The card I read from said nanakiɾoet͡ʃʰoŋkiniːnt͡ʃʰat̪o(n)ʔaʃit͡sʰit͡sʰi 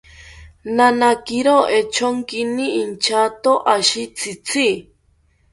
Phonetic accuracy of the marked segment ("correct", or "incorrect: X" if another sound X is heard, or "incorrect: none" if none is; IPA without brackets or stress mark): incorrect: none